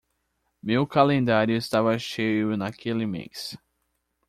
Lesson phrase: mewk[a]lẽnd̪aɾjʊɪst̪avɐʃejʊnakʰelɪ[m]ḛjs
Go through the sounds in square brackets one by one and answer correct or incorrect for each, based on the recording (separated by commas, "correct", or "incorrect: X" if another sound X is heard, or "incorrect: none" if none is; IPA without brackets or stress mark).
correct, correct